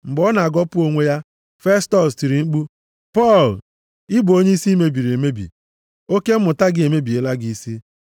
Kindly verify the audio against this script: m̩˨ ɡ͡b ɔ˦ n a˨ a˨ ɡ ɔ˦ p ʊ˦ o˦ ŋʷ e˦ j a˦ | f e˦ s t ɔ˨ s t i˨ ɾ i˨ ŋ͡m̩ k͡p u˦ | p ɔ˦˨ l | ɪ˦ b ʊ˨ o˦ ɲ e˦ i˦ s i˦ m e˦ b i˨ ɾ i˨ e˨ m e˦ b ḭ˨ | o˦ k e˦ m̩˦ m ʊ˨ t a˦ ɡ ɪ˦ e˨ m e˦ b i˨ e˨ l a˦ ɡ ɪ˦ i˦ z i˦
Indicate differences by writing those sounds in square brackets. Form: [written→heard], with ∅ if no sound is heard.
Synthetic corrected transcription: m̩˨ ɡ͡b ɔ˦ n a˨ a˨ ɡ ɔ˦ p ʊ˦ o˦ ŋʷ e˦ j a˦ | f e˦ s t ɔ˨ s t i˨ ɾ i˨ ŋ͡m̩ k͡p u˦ | p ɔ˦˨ l | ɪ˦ b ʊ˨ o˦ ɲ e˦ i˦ s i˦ m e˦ b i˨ ɾ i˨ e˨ m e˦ b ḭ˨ | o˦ k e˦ m̩˦ m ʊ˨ t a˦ ɡ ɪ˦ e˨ m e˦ b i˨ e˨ l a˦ ɡ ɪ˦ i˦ [z→s] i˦